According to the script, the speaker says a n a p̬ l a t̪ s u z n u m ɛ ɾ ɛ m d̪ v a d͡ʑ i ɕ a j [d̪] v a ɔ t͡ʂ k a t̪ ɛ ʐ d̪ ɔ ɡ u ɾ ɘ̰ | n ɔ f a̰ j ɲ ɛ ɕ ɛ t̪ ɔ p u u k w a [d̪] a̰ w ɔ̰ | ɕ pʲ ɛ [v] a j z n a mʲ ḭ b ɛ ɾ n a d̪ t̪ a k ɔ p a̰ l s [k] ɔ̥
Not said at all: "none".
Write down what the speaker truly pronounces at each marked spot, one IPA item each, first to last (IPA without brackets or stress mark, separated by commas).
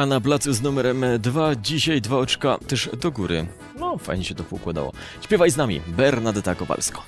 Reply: d̪, d̪, v, k